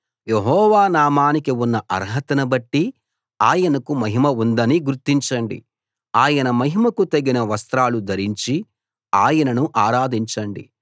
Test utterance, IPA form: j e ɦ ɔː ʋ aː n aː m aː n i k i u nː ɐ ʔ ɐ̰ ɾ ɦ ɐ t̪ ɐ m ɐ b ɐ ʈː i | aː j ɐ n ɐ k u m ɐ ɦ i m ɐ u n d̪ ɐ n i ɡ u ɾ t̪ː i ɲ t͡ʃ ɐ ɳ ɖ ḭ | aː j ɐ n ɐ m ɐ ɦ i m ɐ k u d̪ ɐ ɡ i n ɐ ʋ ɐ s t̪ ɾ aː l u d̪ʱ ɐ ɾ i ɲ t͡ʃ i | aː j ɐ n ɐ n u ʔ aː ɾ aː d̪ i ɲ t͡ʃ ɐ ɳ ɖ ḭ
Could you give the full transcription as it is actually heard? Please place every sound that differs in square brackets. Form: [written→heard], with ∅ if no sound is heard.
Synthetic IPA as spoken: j e ɦ ɔː ʋ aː n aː m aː n i k i u nː ɐ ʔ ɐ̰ ɾ ɦ ɐ t̪ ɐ [m→n] ɐ b ɐ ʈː i | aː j ɐ n ɐ k u m ɐ ɦ i m ɐ u n d̪ ɐ n i ɡ u ɾ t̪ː i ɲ t͡ʃ ɐ ɳ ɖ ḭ | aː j ɐ n ɐ m ɐ ɦ i m ɐ k u [d̪→t̪] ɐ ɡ i n ɐ ʋ ɐ s t̪ ɾ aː l u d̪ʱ ɐ ɾ i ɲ t͡ʃ i | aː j ɐ n ɐ n u ʔ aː ɾ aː d̪ i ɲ t͡ʃ ɐ ɳ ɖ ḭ